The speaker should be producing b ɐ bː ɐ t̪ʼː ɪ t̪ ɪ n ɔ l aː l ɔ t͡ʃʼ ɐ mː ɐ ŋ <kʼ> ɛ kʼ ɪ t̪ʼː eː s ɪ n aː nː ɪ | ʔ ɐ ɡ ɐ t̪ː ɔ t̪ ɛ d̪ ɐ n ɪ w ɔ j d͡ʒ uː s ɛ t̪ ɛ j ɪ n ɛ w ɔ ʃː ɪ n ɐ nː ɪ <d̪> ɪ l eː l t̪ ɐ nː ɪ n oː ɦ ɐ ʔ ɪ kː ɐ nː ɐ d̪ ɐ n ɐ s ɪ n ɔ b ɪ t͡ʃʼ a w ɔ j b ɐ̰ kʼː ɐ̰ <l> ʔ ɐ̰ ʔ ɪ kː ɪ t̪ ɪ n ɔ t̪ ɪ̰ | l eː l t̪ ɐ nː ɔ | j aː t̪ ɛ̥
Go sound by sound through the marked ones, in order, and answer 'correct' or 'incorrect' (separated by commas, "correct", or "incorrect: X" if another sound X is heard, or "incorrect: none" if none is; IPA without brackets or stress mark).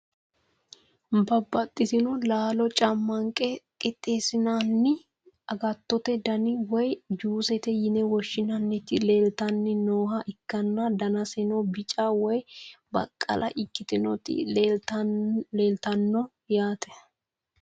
correct, incorrect: t̪, correct